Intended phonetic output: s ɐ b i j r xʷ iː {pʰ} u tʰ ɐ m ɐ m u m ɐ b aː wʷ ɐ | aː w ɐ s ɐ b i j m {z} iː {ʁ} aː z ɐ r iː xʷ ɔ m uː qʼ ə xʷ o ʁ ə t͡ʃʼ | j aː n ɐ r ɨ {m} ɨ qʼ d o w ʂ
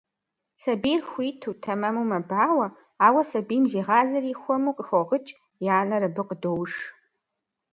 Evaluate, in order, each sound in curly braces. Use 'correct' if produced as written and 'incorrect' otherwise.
incorrect: tʰ, correct, correct, incorrect: b

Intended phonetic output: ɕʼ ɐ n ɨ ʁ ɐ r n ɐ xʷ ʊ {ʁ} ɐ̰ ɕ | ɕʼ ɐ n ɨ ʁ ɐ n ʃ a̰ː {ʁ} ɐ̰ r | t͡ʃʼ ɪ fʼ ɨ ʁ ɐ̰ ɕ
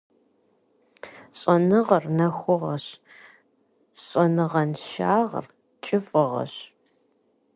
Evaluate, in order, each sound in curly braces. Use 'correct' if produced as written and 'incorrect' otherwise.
correct, correct

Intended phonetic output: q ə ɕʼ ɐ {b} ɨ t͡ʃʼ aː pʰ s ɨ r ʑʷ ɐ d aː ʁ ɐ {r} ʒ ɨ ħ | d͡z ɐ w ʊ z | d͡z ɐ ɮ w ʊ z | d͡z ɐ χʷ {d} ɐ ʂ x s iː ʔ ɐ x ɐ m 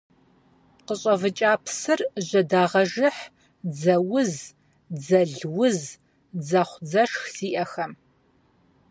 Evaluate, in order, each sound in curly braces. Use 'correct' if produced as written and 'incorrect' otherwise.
incorrect: v, incorrect: none, incorrect: d͡z

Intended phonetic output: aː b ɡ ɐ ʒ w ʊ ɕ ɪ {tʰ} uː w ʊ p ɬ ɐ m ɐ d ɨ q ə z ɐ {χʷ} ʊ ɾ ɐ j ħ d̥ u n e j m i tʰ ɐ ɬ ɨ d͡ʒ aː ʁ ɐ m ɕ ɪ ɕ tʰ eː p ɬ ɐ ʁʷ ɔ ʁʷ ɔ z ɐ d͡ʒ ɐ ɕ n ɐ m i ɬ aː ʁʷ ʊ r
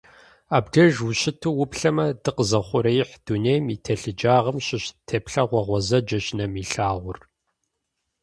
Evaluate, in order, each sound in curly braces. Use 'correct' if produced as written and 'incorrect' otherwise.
correct, correct

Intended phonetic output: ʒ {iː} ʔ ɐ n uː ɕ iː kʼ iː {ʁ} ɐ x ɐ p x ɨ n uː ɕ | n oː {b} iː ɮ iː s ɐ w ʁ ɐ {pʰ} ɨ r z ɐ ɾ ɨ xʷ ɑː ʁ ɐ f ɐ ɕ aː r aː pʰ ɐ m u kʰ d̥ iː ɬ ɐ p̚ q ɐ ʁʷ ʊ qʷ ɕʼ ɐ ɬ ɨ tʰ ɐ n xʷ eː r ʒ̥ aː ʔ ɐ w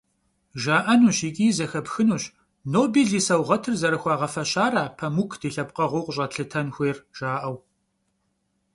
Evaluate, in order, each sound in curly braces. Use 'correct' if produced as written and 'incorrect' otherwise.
incorrect: aː, incorrect: z, correct, incorrect: tʰ

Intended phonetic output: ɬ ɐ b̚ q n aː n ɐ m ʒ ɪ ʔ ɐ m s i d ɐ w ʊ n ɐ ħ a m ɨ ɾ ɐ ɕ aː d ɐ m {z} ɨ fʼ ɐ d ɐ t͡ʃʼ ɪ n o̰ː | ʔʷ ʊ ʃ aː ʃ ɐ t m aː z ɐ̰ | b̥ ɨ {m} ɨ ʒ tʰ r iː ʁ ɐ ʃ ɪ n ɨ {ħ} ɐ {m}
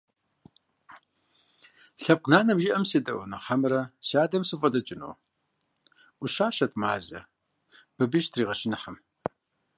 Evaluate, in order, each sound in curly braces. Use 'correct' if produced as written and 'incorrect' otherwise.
incorrect: s, incorrect: b, correct, correct

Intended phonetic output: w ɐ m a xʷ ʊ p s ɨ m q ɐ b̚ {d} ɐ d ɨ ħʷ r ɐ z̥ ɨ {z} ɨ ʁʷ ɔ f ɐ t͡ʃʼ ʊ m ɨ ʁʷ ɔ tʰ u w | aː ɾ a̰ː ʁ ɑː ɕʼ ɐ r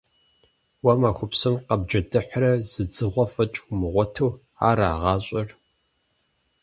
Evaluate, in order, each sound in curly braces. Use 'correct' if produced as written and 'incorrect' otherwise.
incorrect: d͡ʒ, incorrect: d͡z

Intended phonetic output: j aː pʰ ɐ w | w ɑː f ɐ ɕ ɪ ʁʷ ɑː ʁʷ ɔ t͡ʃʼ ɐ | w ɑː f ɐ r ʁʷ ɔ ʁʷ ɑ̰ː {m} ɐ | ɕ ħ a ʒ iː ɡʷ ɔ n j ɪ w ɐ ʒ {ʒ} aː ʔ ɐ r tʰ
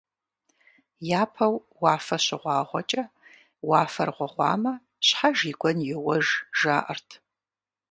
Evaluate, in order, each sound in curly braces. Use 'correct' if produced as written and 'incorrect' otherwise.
correct, correct

